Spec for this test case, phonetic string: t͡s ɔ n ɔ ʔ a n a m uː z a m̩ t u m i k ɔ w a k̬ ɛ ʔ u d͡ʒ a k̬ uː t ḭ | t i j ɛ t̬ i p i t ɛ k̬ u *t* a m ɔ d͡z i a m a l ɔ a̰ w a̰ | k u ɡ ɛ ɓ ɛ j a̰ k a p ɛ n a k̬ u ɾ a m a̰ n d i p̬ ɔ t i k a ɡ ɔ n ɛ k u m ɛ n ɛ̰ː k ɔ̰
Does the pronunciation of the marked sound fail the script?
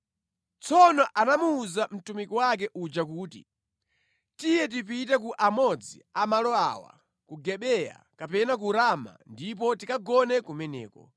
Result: yes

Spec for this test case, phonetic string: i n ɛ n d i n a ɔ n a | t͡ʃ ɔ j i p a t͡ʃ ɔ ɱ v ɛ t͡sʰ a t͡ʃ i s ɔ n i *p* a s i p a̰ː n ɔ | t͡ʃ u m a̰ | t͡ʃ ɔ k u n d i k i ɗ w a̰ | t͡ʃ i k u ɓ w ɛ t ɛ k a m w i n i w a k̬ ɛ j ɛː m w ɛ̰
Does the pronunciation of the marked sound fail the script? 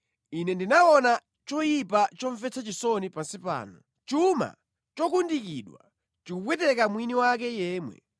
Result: no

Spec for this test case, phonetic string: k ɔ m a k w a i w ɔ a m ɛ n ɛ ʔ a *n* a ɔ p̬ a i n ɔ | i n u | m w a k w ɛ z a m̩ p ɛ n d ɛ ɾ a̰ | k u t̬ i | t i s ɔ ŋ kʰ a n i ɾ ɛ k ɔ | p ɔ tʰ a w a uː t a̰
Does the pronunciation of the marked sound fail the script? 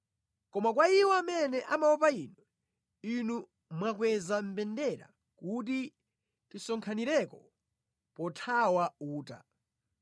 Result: yes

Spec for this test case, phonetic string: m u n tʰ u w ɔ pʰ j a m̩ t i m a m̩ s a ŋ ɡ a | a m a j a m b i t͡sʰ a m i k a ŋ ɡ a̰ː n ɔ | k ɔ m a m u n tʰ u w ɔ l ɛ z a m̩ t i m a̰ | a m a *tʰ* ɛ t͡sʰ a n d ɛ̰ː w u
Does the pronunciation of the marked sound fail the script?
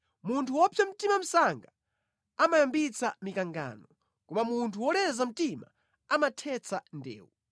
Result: no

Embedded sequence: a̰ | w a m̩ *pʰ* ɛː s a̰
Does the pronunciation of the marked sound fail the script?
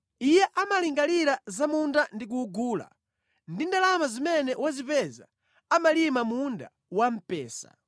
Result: yes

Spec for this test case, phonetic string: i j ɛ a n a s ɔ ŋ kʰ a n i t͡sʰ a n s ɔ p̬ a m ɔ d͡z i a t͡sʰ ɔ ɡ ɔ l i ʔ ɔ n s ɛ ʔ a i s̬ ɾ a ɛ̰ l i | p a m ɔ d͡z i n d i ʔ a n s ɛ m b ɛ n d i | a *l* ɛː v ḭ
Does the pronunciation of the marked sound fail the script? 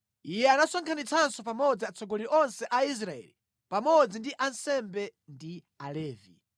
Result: no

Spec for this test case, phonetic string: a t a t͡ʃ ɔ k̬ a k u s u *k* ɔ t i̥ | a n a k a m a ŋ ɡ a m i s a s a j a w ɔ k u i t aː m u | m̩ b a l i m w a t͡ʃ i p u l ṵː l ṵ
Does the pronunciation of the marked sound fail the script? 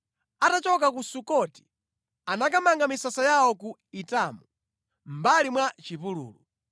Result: no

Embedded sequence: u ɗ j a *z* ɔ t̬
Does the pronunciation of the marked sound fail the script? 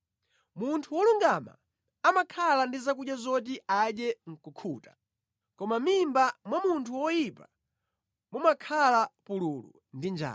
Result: no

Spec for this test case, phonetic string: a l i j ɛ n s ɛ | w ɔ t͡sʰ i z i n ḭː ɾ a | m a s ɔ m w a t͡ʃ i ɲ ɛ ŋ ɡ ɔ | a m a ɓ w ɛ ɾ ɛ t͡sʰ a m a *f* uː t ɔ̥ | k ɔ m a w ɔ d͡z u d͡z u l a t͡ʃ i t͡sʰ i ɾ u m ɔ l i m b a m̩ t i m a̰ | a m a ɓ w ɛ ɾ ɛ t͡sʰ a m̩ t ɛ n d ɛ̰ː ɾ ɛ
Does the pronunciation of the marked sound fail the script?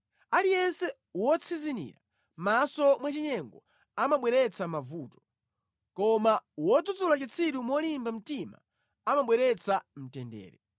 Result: yes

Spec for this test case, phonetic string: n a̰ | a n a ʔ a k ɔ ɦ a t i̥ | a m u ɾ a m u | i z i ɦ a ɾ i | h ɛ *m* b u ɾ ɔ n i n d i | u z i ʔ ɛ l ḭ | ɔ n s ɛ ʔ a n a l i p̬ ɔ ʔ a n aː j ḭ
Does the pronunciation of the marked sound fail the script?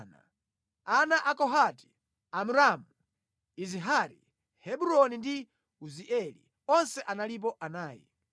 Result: yes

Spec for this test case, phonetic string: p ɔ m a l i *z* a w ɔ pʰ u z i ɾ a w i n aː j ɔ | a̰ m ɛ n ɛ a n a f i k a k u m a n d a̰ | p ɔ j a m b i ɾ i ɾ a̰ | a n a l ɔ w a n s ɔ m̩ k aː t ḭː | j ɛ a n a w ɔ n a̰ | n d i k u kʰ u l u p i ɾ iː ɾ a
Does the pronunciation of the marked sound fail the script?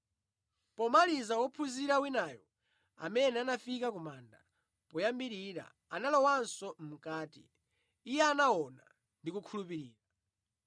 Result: no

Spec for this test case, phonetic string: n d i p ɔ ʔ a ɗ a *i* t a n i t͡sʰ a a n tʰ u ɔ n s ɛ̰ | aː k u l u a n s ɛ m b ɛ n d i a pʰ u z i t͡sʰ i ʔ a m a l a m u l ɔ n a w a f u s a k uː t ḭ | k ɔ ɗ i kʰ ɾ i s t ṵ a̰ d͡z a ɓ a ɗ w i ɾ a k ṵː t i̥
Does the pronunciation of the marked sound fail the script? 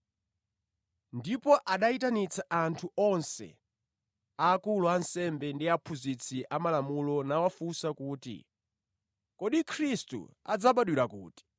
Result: no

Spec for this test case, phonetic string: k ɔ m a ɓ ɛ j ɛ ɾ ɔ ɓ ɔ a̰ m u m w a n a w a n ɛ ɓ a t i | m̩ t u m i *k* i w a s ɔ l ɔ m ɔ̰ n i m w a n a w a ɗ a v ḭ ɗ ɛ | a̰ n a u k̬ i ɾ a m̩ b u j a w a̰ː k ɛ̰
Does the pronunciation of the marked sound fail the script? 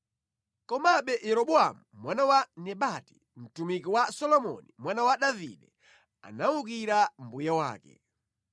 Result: no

